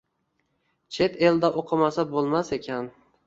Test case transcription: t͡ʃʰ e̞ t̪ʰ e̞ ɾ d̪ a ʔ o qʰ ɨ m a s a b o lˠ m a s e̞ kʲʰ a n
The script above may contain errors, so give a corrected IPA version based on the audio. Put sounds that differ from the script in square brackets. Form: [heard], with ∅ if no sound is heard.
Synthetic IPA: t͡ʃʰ e̞ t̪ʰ e̞ [l] d̪ a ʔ o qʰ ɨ m a s a b o lˠ m a s e̞ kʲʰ a n